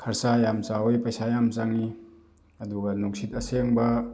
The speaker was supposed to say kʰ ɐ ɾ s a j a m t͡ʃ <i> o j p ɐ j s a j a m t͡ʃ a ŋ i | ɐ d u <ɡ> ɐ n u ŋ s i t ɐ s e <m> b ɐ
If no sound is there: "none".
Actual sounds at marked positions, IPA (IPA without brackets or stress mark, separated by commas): a, ɡ, ŋ